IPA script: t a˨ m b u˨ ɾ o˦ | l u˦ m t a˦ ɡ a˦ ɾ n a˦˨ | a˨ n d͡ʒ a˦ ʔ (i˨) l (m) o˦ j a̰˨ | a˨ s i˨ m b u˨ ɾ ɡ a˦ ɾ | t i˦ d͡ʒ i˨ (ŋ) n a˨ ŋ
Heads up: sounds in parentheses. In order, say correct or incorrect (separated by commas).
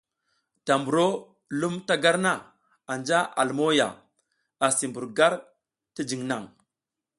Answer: incorrect, correct, correct